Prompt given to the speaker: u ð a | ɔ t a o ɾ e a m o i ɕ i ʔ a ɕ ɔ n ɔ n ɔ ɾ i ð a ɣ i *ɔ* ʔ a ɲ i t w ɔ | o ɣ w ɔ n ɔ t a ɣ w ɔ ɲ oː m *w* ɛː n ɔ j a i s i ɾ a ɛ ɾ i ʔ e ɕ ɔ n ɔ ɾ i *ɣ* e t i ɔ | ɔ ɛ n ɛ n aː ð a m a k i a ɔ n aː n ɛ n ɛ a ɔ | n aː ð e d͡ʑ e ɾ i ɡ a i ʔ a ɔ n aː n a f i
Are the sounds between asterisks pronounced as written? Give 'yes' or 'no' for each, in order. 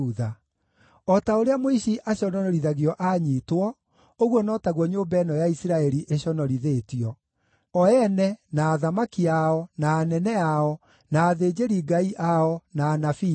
yes, no, no

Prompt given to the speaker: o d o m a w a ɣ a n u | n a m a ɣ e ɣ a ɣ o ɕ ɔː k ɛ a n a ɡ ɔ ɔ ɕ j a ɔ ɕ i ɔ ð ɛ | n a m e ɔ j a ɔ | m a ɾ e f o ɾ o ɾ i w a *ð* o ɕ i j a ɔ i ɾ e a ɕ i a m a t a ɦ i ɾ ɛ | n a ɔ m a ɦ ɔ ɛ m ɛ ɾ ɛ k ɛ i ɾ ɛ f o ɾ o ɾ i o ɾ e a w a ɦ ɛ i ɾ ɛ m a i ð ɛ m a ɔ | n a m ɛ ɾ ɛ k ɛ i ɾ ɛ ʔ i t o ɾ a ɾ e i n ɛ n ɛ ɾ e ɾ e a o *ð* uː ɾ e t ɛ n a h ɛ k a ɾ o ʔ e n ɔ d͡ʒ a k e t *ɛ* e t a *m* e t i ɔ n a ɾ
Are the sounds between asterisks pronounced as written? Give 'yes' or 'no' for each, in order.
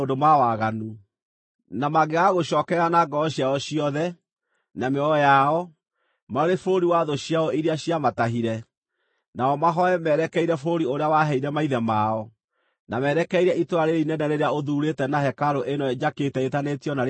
yes, yes, yes, no

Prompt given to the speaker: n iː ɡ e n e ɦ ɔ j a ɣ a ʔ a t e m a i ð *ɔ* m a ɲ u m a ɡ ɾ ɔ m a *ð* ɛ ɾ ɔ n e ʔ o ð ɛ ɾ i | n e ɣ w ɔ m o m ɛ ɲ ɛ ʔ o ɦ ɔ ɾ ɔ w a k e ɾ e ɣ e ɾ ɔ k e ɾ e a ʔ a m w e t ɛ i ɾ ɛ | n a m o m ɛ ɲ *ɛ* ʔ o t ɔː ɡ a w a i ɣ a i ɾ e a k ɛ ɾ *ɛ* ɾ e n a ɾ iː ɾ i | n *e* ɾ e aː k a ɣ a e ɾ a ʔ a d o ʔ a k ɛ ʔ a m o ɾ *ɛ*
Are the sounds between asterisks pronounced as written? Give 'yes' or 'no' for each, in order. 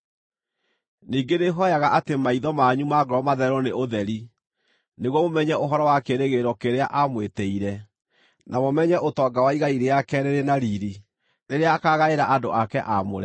yes, yes, yes, no, yes, yes

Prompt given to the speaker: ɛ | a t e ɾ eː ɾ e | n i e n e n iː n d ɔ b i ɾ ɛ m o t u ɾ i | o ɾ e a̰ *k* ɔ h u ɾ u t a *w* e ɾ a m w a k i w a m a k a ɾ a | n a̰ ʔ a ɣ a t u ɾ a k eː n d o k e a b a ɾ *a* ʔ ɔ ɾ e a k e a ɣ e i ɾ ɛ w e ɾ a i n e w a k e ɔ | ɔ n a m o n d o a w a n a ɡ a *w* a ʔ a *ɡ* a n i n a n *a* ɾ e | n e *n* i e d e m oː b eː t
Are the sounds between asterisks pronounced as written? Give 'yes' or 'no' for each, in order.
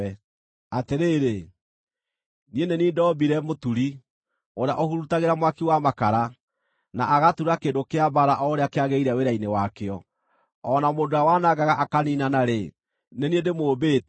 no, no, yes, no, no, yes, yes

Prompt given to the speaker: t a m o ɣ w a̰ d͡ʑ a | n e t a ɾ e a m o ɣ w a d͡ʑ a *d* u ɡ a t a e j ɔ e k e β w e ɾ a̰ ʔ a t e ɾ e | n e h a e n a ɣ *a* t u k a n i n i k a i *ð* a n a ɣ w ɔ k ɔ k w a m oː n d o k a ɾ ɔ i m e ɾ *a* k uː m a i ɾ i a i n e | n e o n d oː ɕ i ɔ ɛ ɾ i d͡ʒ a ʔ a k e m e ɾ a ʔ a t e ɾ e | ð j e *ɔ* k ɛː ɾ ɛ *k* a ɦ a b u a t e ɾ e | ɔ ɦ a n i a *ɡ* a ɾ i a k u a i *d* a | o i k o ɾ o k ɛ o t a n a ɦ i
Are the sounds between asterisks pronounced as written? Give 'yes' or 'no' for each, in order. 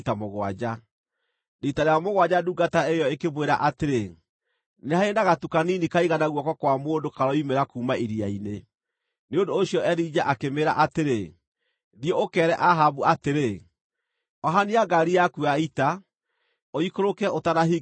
yes, yes, no, yes, no, no, yes, no

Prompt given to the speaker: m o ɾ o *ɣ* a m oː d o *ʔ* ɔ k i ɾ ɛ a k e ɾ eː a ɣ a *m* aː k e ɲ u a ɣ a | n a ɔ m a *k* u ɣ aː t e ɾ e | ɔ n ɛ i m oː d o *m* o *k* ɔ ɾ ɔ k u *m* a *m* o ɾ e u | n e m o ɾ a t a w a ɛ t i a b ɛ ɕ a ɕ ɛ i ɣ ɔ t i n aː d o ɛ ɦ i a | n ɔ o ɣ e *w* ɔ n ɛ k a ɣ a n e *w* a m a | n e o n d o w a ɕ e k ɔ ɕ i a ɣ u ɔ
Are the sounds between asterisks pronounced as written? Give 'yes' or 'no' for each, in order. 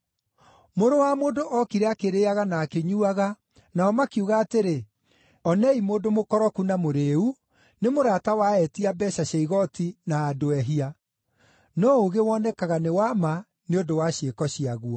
no, yes, no, yes, yes, yes, no, yes, yes, yes

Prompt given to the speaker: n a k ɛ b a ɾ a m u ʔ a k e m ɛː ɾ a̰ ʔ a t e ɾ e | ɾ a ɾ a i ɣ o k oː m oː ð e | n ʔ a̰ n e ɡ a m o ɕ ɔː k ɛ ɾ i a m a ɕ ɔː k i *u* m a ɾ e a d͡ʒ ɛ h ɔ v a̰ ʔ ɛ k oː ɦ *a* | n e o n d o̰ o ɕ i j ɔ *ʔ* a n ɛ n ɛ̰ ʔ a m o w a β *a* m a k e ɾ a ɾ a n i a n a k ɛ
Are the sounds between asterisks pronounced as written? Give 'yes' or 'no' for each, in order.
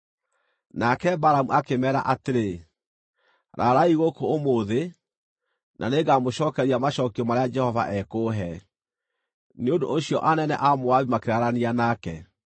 no, no, yes, no

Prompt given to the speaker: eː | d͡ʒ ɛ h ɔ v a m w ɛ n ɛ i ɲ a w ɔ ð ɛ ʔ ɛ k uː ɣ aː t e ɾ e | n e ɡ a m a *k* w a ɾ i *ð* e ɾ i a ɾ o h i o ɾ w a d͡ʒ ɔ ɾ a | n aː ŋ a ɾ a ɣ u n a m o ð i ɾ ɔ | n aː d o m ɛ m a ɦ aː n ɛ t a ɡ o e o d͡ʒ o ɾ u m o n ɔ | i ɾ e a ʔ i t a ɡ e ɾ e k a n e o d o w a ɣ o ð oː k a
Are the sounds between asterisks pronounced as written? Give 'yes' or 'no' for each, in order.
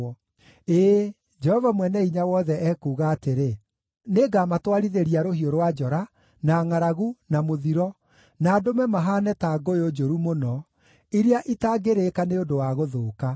no, yes

